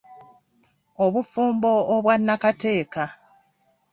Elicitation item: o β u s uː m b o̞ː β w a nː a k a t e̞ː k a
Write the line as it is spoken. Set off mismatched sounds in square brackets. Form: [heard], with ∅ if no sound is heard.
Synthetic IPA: o β u [f] uː m b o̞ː β w a nː a k a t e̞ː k a